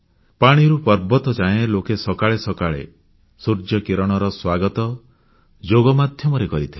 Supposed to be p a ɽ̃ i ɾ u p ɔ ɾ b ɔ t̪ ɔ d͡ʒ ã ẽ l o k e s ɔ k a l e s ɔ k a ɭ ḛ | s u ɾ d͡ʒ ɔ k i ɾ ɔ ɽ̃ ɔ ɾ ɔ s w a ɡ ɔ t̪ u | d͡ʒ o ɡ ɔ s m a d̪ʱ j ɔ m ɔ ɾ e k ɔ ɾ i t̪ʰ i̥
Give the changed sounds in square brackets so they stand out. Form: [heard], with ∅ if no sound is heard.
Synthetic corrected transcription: p a ɽ̃ i ɾ u p ɔ ɾ b ɔ t̪ ɔ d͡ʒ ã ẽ l o k e s ɔ k a [ɭ] e s ɔ k a ɭ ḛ | s u ɾ d͡ʒ ɔ k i ɾ ɔ ɽ̃ ɔ ɾ ɔ s w a ɡ ɔ t̪ [ɔ] | d͡ʒ o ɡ ɔ [∅] m a d̪ʱ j ɔ m ɔ ɾ e k ɔ ɾ i t̪ʰ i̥

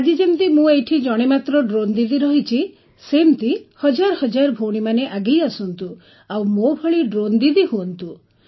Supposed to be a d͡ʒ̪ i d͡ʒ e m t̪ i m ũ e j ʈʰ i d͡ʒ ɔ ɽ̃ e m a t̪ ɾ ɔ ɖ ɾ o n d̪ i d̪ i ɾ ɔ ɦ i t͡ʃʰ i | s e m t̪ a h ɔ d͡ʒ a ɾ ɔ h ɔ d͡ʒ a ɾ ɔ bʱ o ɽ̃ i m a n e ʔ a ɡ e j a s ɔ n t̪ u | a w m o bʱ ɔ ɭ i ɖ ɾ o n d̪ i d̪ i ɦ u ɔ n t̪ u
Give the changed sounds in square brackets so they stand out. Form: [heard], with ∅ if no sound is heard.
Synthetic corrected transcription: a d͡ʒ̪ i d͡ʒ e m t̪ i m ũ e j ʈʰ i d͡ʒ ɔ ɽ̃ e m a t̪ ɾ ɔ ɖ ɾ o n d̪ i d̪ i ɾ ɔ ɦ i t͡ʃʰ i | s e m t̪ [i] h ɔ d͡ʒ a ɾ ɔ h ɔ d͡ʒ a ɾ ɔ bʱ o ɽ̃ i m a n e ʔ a ɡ e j a s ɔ n t̪ u | a w m o bʱ ɔ ɭ i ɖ ɾ o n d̪ i d̪ i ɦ u ɔ n t̪ u

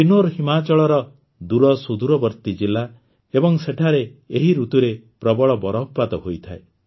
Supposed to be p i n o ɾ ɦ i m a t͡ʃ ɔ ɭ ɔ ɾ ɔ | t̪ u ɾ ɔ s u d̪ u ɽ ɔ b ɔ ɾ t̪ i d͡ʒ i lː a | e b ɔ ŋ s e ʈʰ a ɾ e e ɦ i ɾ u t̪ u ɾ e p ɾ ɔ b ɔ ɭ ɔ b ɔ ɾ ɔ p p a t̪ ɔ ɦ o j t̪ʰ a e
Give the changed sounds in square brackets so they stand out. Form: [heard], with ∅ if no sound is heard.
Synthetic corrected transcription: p i n o ɾ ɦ i m a t͡ʃ ɔ ɭ ɔ ɾ ɔ | [d̪] u ɾ ɔ s u d̪ u [ɾ] ɔ b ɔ ɾ t̪ i d͡ʒ i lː a | e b ɔ ŋ s e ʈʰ a ɾ e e ɦ i ɾ u t̪ u ɾ e p ɾ ɔ b ɔ ɭ ɔ b ɔ ɾ ɔ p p a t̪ ɔ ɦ o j t̪ʰ a e

